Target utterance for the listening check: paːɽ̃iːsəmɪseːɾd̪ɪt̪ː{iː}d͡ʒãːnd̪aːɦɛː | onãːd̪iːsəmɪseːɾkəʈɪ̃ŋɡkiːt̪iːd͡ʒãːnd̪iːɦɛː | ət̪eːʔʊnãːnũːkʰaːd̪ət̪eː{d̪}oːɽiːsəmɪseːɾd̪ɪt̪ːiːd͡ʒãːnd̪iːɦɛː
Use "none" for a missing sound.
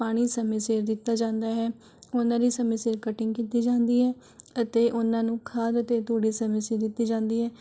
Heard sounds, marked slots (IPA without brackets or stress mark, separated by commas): aː, t̪